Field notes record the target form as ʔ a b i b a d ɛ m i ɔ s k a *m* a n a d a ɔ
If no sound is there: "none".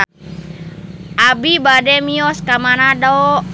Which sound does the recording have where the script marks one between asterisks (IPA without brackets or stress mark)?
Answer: m